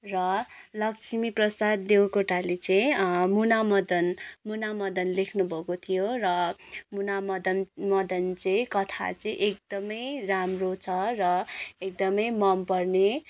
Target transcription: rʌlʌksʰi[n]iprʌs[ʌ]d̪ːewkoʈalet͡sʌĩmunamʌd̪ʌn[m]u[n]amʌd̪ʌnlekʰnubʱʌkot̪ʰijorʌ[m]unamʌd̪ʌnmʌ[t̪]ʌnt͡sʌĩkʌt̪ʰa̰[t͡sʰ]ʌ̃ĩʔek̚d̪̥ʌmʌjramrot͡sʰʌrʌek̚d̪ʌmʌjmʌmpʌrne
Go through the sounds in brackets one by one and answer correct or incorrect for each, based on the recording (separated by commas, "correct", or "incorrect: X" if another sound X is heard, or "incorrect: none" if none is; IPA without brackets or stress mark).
incorrect: m, incorrect: a, correct, correct, correct, incorrect: d̪, incorrect: t͡s